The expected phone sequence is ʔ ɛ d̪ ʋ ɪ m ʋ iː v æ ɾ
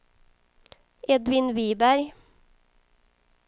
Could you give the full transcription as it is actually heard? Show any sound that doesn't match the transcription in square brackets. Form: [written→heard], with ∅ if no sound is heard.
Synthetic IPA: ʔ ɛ d̪ ʋ ɪ [m→n] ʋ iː [v→b] æ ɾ